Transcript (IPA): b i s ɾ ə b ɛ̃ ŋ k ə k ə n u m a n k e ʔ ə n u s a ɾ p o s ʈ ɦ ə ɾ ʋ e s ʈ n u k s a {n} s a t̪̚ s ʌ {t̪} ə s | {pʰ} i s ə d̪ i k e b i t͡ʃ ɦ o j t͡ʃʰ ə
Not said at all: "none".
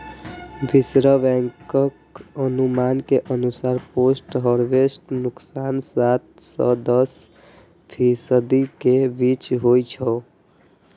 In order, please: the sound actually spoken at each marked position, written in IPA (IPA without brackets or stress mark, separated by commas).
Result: n, d̪, pʰ